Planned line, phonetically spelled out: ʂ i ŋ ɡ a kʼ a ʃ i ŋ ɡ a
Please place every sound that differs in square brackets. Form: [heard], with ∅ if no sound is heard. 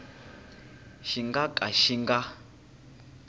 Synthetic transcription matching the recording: [ʃ] i ŋ ɡ a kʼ a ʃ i ŋ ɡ a